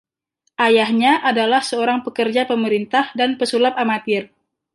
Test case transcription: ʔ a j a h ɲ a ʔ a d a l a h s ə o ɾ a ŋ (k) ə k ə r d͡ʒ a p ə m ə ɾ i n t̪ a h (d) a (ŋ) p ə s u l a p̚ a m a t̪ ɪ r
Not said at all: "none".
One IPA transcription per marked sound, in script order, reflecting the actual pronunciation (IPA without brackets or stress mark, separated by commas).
p, d, n